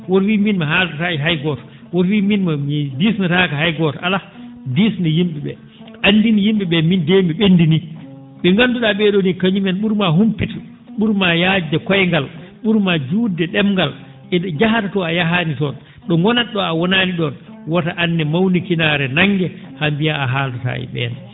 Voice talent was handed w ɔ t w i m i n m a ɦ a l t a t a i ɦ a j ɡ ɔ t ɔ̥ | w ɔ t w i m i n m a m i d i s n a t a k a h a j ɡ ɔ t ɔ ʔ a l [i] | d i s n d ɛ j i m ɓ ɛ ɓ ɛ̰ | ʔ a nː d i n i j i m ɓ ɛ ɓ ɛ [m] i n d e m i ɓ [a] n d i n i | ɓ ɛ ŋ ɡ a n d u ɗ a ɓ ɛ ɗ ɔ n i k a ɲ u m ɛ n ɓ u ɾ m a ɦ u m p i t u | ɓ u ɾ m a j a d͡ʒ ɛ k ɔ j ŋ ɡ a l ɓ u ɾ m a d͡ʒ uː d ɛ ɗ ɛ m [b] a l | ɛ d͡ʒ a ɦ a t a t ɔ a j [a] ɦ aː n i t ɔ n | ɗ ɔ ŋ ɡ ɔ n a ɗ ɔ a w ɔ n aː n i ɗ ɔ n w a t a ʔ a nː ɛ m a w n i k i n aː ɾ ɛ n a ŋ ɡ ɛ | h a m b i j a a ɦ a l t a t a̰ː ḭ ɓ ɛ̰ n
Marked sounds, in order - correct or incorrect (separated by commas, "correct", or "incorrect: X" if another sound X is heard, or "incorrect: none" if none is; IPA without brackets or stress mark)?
incorrect: a, correct, incorrect: e, incorrect: ɡ, correct